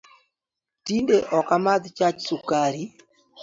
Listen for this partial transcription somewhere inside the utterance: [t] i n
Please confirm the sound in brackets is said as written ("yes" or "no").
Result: yes